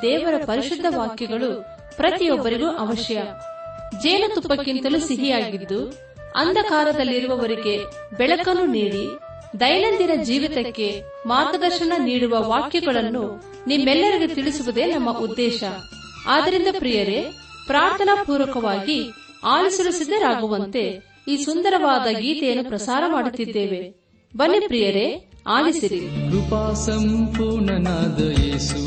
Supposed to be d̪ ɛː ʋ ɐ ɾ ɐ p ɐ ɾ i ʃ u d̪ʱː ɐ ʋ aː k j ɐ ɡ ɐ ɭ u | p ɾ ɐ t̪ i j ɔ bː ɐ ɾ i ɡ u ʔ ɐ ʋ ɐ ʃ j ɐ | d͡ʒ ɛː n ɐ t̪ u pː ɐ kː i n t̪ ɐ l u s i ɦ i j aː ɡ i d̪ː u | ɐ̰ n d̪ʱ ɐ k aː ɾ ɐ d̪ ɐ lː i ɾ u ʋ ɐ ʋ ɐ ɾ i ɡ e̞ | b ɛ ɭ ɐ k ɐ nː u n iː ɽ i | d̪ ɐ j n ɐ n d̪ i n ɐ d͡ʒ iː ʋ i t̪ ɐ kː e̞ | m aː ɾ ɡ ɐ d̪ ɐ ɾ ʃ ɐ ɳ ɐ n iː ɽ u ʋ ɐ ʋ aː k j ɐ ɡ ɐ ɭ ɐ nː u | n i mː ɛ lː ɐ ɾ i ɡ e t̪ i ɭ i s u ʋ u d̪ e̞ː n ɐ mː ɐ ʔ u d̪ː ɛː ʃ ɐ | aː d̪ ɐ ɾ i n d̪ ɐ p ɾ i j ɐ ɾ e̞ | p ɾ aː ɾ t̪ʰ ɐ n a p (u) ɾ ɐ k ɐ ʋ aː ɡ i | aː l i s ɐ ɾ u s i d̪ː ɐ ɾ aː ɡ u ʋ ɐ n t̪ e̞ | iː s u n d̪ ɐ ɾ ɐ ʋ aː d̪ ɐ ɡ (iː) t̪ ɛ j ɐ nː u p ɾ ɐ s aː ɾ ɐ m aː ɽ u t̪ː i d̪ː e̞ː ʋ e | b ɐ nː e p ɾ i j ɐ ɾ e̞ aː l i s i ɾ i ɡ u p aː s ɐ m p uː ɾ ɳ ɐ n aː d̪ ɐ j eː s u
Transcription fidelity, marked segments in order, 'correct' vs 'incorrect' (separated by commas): incorrect, correct